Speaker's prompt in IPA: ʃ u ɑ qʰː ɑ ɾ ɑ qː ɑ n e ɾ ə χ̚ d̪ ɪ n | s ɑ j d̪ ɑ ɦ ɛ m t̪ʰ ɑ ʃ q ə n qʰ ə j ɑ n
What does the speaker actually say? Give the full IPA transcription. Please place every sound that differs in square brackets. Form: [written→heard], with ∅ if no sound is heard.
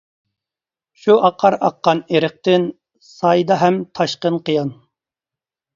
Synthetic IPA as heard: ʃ u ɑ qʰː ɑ ɾ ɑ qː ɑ n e ɾ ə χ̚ [d̪→t̪] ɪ n | s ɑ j d̪ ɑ ɦ ɛ m t̪ʰ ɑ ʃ q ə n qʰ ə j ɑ n

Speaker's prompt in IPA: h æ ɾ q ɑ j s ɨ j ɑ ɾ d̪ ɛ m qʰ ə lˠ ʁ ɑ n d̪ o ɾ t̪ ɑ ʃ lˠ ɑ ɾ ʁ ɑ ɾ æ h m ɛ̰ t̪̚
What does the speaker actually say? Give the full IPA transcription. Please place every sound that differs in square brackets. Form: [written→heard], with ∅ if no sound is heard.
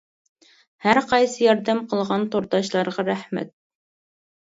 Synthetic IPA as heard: h æ ɾ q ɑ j s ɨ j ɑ ɾ d̪ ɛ m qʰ ə lˠ ʁ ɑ n [d̪→t̪] o ɾ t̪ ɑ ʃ lˠ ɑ ɾ ʁ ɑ ɾ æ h m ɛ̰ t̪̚

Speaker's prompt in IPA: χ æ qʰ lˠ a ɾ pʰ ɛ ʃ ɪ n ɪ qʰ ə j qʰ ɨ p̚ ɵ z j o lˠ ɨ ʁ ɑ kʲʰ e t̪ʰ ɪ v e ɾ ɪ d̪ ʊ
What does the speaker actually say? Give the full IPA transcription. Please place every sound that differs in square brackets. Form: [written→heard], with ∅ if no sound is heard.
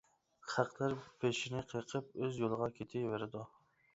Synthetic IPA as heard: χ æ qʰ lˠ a ɾ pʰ [ɛ→e] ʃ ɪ n ɪ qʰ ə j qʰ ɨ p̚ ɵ z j o lˠ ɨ ʁ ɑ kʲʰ e t̪ʰ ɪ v e ɾ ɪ d̪ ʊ

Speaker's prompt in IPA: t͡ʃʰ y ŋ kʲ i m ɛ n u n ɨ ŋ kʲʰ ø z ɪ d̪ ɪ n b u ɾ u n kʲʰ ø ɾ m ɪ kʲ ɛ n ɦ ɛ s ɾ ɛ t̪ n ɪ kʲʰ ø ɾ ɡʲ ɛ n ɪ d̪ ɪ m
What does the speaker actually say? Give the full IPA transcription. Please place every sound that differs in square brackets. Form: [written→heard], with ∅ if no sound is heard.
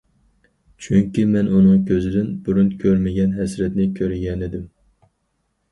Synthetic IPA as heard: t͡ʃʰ y ŋ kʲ i m ɛ n u n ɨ ŋ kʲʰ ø z ɪ d̪ ɪ n b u ɾ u n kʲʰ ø ɾ m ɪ [kʲ→ɡʲ] ɛ n ɦ ɛ s ɾ ɛ t̪ n ɪ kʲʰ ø ɾ ɡʲ ɛ n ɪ d̪ ɪ m

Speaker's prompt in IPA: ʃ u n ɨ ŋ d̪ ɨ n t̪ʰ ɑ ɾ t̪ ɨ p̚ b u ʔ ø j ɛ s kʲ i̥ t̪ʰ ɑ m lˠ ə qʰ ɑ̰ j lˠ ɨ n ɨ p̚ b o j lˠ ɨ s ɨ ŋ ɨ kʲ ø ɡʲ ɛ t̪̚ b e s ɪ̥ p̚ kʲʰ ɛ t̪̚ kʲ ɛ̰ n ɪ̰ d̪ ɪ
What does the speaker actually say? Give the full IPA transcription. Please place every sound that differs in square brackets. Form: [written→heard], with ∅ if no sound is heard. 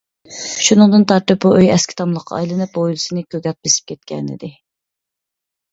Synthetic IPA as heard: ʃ u n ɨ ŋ d̪ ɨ n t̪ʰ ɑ ɾ t̪ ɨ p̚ b u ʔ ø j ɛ s kʲ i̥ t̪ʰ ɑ m lˠ ə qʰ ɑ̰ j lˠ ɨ n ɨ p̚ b o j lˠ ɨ s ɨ [ŋ→n] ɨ kʲ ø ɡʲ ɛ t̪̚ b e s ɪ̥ p̚ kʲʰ ɛ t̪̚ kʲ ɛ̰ n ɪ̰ d̪ ɪ

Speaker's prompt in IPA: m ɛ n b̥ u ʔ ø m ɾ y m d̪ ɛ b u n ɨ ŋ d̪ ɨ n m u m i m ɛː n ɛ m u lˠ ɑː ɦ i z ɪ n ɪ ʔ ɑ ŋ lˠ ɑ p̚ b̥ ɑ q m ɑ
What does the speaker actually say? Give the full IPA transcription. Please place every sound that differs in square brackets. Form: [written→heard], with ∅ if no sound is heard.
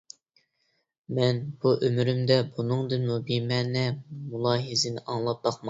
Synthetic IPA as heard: m ɛ n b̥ u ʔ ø m ɾ y m d̪ ɛ b u n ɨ ŋ d̪ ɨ n m u [m→b] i m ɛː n ɛ m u lˠ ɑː ɦ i z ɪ n ɪ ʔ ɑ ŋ lˠ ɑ p̚ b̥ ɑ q m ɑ

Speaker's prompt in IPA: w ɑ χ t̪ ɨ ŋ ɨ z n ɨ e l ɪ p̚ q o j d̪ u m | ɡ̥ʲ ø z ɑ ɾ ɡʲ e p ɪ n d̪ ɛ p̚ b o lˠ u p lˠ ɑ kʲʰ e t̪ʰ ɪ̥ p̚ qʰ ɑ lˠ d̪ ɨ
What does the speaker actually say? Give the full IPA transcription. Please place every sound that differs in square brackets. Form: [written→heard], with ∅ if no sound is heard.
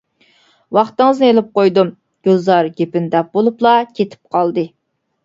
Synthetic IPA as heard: w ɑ χ t̪ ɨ ŋ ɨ z n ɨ e l ɪ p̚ q o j d̪ u m | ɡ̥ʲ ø z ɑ ɾ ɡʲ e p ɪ n d̪ ɛ p̚ b o lˠ u p lˠ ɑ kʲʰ e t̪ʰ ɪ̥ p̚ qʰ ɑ lˠ d̪ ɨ

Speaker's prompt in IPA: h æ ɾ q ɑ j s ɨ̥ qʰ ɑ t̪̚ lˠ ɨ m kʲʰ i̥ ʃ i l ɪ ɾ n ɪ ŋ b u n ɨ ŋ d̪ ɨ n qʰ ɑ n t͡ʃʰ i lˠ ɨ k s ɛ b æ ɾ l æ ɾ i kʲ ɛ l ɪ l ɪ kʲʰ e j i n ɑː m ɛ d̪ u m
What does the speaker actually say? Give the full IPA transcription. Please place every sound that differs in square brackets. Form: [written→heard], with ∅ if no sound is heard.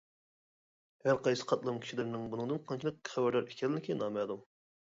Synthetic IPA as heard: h æ ɾ q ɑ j s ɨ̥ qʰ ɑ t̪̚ lˠ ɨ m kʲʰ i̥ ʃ i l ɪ ɾ n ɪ ŋ b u n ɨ ŋ d̪ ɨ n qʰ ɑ n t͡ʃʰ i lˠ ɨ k [s→χ] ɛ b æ ɾ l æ ɾ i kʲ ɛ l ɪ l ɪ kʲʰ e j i n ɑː m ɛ d̪ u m

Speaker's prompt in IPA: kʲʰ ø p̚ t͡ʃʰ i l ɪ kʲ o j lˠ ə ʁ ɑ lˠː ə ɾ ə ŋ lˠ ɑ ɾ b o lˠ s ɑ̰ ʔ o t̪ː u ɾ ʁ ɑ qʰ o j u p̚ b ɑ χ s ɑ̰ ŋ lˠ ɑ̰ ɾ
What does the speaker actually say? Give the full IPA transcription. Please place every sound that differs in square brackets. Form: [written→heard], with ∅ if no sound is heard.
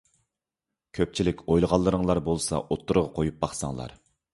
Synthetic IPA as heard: kʲʰ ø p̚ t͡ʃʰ i l ɪ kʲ o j lˠ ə ʁ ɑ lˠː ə ɾ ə ŋ lˠ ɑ ɾ b o lˠ s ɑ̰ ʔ o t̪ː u ɾ ʁ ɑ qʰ o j u p̚ b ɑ χ s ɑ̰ ŋ lˠ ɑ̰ ɾ

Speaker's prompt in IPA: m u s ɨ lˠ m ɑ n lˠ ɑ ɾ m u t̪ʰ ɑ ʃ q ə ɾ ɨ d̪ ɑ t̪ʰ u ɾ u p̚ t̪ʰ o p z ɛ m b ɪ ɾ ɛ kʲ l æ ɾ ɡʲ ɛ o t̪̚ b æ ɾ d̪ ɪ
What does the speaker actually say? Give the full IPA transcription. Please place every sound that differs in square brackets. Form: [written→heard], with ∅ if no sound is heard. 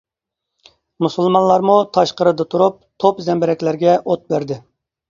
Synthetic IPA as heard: m u s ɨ lˠ m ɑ n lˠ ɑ ɾ m u t̪ʰ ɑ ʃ q ə ɾ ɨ d̪ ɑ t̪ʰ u ɾ u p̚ t̪ʰ o p z ɛ m b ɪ ɾ ɛ kʲ l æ ɾ ɡʲ ɛ o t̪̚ b æ ɾ d̪ ɪ

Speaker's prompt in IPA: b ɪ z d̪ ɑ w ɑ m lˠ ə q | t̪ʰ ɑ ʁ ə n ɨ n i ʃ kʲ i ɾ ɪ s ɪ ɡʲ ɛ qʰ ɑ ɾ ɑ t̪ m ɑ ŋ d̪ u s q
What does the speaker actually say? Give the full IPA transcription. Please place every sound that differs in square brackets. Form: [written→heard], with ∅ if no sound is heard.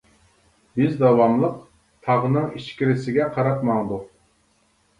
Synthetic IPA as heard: b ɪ z d̪ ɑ w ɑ m lˠ ə q | t̪ʰ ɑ ʁ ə n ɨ [n→ŋ] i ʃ kʲ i ɾ ɪ s ɪ ɡʲ ɛ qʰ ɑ ɾ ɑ t̪ m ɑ ŋ d̪ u [s→∅] q

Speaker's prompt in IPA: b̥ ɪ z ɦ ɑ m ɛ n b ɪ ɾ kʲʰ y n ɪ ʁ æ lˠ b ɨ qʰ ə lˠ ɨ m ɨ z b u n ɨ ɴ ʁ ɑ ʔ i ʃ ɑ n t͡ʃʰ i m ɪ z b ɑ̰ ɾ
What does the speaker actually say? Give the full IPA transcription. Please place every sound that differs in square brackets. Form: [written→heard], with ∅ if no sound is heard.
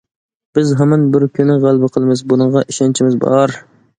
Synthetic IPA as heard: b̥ ɪ z ɦ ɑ m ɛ n b ɪ ɾ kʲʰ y n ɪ ʁ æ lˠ b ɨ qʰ ə lˠ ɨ m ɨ z b u n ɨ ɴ ʁ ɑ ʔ i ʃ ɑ n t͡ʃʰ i m ɪ z b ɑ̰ ɾ

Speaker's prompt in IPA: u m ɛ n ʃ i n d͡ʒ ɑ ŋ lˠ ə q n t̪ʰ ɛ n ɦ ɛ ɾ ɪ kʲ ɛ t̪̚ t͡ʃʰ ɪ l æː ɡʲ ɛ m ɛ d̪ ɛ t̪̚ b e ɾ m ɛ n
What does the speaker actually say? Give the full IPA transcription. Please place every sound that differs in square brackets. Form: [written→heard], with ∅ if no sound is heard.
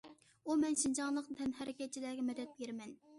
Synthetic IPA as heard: u m ɛ n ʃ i n d͡ʒ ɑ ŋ lˠ ə q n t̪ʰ ɛ n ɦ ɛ ɾ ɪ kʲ ɛ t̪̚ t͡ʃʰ [ɪ→i] l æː ɡʲ ɛ m ɛ d̪ ɛ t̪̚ b e ɾ m ɛ n

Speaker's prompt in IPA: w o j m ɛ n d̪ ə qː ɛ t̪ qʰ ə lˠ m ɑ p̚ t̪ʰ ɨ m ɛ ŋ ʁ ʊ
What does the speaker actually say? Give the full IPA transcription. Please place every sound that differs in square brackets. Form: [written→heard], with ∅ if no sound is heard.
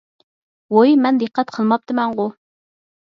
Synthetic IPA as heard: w o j m ɛ n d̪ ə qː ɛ t̪ qʰ ə lˠ m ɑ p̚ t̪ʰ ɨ m ɛ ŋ ʁ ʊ

